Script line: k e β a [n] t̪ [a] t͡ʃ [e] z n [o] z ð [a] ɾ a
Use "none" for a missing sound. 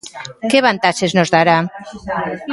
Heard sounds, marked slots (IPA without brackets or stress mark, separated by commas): n, a, e, o, a